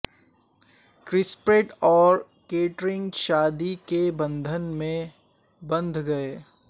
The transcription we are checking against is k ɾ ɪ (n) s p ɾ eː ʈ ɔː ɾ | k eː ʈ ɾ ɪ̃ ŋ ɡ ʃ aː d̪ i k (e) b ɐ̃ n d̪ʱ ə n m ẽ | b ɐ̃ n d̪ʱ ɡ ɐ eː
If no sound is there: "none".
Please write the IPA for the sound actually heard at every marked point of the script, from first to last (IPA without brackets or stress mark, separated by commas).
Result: none, e